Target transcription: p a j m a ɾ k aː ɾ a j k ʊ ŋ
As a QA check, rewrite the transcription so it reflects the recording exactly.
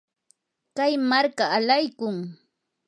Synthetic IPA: k a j m a ɾ k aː l a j k ʊ ŋ